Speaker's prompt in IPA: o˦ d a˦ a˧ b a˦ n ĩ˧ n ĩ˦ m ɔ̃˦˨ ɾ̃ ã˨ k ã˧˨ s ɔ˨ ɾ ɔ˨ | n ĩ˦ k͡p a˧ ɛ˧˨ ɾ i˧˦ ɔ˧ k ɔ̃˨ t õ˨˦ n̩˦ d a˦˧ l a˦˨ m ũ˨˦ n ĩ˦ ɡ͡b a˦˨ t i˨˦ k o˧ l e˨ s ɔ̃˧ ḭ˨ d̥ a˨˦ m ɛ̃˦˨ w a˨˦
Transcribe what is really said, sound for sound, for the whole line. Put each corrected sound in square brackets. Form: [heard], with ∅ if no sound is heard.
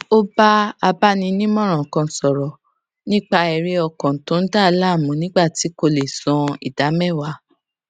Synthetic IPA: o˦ [b] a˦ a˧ b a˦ n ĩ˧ n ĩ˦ m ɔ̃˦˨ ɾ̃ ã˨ k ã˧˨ s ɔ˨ ɾ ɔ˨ | n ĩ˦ k͡p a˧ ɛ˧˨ ɾ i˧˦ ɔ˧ k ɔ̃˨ t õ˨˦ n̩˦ d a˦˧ l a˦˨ m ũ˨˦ n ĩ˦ ɡ͡b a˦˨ t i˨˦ k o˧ l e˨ s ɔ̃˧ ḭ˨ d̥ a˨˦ m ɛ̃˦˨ w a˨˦